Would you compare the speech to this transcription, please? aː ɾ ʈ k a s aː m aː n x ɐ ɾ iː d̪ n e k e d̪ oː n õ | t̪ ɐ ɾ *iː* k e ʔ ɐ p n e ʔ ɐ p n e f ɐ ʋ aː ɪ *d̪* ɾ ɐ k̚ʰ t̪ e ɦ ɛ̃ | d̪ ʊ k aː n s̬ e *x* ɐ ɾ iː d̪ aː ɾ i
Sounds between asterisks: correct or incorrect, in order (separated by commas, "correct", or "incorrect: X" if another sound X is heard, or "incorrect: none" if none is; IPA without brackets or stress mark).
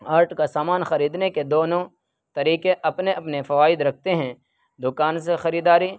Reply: correct, correct, correct